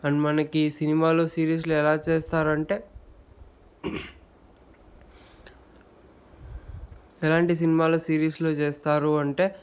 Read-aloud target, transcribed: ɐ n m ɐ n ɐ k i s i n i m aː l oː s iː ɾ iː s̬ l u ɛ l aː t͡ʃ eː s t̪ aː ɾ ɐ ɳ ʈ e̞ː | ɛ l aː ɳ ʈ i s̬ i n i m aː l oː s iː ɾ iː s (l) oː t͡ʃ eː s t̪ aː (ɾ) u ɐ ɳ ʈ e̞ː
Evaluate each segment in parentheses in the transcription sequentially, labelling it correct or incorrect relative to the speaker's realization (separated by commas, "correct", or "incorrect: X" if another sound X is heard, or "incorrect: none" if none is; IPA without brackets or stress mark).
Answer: correct, correct